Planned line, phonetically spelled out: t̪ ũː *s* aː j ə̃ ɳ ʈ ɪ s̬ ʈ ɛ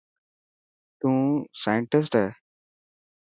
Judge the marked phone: correct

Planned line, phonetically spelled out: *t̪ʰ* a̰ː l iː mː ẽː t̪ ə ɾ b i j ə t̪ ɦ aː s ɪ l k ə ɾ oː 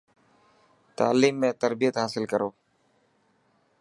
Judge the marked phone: incorrect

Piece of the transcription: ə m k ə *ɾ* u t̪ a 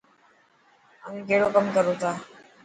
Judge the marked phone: correct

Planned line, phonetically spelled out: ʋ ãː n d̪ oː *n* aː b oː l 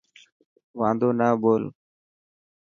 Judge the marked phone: correct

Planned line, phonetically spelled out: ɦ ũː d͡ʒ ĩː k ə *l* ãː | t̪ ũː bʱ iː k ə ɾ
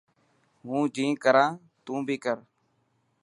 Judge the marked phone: incorrect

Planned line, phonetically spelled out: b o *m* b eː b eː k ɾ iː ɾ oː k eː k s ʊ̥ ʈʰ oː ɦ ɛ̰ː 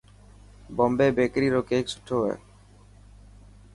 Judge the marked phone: correct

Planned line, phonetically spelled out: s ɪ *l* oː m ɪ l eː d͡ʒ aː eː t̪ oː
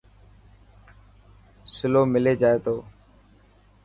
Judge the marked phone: correct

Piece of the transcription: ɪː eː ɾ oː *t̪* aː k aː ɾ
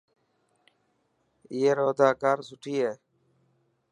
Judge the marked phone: incorrect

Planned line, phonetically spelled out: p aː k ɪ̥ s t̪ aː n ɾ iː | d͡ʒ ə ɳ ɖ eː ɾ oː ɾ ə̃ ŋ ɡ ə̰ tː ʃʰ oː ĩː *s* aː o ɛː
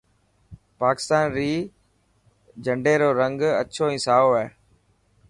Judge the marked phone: correct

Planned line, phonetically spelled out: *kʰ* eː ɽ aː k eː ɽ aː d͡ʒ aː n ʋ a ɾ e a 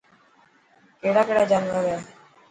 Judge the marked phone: incorrect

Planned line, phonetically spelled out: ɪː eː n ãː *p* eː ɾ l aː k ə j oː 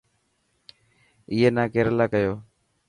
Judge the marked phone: incorrect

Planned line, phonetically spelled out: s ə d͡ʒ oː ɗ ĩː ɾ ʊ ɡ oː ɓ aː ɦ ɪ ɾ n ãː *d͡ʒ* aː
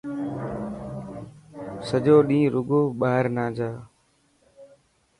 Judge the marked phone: correct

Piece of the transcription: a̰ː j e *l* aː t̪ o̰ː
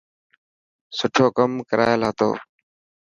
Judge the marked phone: correct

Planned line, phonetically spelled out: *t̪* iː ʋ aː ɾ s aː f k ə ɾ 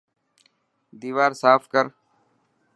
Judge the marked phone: incorrect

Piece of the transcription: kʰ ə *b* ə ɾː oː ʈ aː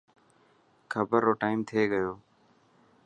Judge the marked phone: correct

